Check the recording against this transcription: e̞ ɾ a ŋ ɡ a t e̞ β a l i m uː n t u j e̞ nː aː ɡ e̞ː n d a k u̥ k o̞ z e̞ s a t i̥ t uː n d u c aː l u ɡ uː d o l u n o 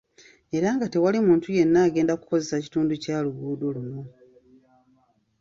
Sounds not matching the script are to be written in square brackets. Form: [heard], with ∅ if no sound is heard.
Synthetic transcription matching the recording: e̞ ɾ a ŋ ɡ a t e̞ [w] a l i m uː n t u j e̞ nː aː ɡ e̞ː n d a k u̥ k o̞ z e̞ s a [c] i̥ t uː n d u c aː l u ɡ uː d o l u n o